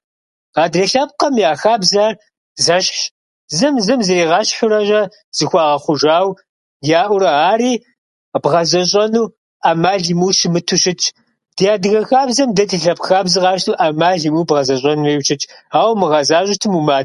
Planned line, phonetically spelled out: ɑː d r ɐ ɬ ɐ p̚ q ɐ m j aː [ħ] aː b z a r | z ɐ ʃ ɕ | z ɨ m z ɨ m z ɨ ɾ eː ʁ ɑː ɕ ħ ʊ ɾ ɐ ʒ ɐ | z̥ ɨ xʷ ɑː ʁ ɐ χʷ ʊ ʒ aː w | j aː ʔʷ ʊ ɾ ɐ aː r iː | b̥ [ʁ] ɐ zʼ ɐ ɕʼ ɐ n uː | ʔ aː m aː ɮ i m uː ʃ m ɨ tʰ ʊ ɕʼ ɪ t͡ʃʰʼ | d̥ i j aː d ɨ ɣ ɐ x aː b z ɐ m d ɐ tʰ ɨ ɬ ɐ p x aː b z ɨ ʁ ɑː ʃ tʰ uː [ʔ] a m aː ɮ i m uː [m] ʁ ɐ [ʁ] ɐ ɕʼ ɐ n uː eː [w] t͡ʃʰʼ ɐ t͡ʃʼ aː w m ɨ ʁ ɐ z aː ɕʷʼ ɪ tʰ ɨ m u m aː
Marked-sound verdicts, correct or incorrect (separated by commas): incorrect, correct, correct, incorrect, incorrect, correct